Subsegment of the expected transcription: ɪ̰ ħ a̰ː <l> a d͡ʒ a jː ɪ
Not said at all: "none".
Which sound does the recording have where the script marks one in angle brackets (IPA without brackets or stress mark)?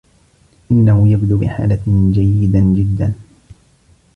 l